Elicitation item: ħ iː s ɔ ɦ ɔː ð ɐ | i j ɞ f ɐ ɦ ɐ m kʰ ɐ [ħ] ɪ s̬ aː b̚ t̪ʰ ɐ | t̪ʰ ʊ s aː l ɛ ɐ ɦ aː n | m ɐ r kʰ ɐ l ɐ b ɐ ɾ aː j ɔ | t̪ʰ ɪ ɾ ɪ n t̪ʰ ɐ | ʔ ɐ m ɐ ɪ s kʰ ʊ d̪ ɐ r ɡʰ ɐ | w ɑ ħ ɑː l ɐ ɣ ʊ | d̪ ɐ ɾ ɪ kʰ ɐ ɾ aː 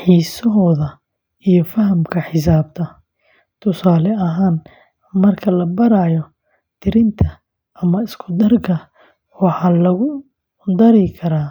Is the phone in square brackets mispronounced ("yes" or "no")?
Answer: no